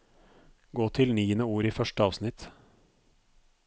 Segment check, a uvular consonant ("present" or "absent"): absent